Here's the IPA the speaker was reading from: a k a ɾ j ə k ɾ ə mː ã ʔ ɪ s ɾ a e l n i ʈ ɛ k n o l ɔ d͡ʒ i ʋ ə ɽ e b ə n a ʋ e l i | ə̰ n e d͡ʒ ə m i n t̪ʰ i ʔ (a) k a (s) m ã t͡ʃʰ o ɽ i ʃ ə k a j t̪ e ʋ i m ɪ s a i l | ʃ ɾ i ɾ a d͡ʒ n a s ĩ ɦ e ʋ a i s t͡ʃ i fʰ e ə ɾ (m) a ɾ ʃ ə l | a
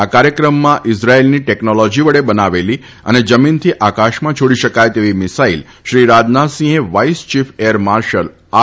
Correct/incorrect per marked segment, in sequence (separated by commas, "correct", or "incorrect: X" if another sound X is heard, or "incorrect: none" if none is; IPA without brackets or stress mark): correct, incorrect: ʃ, correct